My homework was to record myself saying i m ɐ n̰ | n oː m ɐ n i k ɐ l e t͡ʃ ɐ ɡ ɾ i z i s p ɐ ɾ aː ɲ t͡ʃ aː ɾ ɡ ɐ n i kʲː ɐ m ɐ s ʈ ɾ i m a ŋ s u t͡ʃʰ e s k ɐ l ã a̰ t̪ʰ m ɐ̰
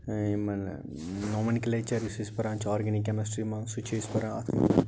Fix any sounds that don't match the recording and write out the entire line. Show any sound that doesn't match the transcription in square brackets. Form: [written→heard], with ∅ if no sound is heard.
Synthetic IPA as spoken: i m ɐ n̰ | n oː m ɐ n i k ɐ l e t͡ʃ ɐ [ɡ→∅] ɾ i [z→s] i s p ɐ ɾ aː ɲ t͡ʃ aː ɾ ɡ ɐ n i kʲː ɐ m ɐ s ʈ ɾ i m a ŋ s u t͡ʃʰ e s [k→p] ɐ [l→ɾ] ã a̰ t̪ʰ m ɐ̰